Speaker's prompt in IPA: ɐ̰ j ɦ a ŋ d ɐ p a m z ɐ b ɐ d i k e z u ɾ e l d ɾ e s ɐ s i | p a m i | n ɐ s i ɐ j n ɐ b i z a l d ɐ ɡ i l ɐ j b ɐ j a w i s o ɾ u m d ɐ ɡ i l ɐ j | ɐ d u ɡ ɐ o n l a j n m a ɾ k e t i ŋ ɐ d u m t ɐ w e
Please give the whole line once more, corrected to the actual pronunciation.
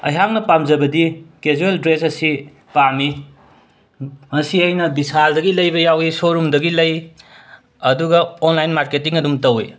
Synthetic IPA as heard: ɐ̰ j ɦ a ŋ n ɐ p a m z ɐ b ɐ d i k e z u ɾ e l d ɾ e s ɐ s i | p a m i | m ɐ s i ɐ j n ɐ b i s a l d ɐ ɡ i l ɐ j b ɐ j a w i s o ɾ u m d ɐ ɡ i l ɐ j | ɐ d u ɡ ɐ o n l a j n m a ɾ k e t i ŋ ɐ d u m t ɐ w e